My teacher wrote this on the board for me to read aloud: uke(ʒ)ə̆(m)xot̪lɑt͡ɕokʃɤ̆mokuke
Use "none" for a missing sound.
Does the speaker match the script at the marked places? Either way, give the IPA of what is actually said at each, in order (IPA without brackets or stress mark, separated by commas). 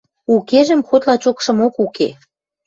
ʒ, m